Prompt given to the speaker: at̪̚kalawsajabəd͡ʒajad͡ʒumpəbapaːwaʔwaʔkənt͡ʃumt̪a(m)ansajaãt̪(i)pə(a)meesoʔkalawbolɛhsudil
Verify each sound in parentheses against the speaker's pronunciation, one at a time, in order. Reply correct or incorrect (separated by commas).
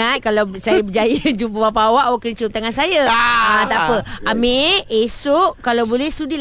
incorrect, incorrect, correct